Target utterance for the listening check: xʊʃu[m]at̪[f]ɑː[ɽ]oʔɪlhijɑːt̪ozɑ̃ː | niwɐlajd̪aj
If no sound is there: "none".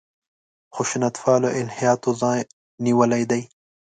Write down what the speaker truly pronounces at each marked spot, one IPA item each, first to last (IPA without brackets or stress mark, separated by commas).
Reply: n, f, l